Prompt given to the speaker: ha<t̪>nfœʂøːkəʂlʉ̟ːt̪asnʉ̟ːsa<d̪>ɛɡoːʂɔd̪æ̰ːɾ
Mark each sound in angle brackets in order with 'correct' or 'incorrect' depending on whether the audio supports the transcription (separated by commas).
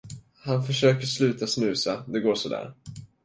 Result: incorrect, correct